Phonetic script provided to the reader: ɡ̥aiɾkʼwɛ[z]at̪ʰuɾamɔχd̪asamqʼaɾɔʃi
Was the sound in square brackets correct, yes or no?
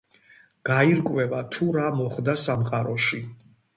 no